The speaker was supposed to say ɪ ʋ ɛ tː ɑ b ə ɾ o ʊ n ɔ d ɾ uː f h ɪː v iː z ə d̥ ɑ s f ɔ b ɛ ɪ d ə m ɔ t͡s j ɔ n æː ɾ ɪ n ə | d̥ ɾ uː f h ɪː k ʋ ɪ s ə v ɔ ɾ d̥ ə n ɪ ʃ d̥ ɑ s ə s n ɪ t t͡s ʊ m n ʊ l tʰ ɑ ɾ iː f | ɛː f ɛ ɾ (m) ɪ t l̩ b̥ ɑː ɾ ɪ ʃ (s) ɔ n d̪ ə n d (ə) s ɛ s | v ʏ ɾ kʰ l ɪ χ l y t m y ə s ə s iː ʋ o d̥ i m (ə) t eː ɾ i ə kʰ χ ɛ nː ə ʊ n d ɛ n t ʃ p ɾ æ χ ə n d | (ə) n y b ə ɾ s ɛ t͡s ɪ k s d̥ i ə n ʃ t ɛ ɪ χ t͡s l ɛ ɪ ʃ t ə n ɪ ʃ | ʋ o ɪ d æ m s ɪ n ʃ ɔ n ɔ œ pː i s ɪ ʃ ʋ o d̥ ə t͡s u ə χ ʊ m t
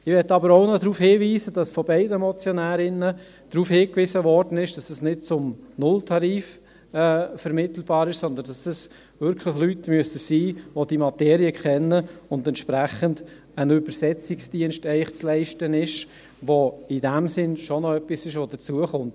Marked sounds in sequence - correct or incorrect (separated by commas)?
correct, correct, incorrect, incorrect, correct